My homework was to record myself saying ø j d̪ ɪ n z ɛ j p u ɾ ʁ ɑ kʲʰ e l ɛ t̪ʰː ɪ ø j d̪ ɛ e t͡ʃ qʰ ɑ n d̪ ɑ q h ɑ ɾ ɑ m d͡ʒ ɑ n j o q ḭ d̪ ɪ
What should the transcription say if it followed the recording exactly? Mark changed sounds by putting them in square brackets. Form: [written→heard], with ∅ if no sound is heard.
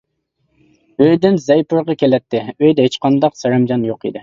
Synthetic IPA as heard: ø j d̪ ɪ n z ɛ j p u ɾ ʁ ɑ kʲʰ e l ɛ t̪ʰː ɪ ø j d̪ ɛ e t͡ʃ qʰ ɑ n d̪ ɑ q [h→s] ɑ ɾ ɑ m d͡ʒ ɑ n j o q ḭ d̪ ɪ